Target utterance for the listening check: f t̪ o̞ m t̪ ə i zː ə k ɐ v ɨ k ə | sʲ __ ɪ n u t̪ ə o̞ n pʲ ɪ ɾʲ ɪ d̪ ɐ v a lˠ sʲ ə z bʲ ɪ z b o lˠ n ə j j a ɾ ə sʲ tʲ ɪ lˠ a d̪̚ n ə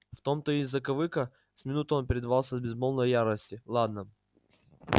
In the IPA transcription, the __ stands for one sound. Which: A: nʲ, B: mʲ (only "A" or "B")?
B